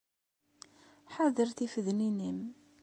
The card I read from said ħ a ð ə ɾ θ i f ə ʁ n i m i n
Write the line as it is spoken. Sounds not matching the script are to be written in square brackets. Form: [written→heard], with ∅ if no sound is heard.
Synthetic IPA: ħ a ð ə ɾ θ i f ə [ʁ→ð] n i [m→n] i [n→m]